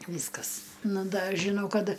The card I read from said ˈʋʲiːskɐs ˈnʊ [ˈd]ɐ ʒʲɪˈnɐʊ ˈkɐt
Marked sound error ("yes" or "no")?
no